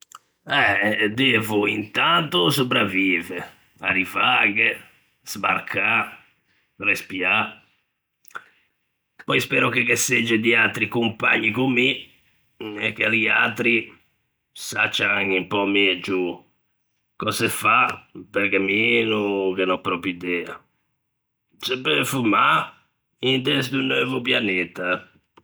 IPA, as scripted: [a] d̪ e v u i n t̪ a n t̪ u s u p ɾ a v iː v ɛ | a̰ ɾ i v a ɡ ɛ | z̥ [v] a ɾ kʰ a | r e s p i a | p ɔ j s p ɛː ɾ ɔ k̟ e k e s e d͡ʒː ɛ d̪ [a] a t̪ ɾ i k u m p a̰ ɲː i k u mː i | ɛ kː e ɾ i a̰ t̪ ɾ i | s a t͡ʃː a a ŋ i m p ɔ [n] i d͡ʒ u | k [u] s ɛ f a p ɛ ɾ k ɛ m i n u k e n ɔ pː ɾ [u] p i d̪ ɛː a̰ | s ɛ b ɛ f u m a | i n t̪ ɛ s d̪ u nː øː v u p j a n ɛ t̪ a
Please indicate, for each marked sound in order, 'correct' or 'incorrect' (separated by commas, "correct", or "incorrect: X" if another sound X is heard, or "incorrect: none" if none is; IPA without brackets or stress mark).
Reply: incorrect: ɛ, incorrect: b, incorrect: i, incorrect: m, incorrect: ɔ, incorrect: ɔ